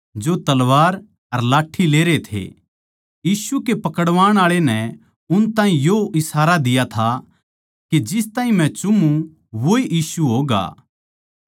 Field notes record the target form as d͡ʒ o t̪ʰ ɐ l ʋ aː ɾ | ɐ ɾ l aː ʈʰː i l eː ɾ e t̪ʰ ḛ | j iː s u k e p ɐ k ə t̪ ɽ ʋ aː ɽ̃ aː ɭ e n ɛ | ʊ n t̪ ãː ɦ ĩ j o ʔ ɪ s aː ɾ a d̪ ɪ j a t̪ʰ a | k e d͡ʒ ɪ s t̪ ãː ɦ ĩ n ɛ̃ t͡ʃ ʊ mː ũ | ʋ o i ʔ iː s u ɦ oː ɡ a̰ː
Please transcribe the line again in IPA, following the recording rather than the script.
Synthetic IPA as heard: d͡ʒ o t̪ ɐ l ʋ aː ɾ | ɐ ɾ l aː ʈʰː i l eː ɾ e t̪ʰ ḛ | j iː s u k e p ɐ k ə ɽ ʋ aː ɽ̃ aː ɭ e n ɛ | ʊ n t̪ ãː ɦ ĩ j o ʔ ɪ s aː ɾ a d̪ ɪ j a t̪ʰ a | k e d͡ʒ ɪ s t̪ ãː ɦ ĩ m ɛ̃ t͡ʃ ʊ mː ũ | ʋ o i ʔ iː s u ɦ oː ɡ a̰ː